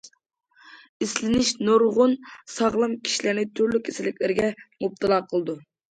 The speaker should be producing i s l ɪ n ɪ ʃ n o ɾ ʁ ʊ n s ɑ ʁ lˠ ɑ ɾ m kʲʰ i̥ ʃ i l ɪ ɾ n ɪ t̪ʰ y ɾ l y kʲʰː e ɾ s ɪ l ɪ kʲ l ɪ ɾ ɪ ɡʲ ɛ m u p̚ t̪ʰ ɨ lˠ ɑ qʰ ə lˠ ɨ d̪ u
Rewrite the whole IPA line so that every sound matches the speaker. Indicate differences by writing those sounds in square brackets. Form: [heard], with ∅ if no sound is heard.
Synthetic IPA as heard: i s l ɪ n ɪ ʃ n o ɾ ʁ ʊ n s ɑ ʁ lˠ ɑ [∅] m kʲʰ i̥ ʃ i l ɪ ɾ n ɪ t̪ʰ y ɾ l y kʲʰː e [∅] s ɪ l ɪ kʲ l ɪ ɾ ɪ ɡʲ ɛ m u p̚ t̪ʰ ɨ lˠ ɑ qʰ ə lˠ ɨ d̪ u